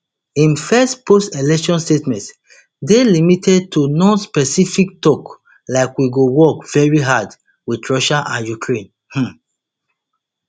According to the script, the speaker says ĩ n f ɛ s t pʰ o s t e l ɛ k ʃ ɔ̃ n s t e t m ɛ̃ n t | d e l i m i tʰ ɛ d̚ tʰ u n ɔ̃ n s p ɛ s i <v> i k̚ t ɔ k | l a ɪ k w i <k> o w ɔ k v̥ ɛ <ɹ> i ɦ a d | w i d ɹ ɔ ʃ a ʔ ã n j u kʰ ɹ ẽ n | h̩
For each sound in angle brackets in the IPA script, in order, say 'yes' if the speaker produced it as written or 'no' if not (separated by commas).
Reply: no, no, yes